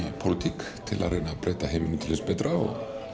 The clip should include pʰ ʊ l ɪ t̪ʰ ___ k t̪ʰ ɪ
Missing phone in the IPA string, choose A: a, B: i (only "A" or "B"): B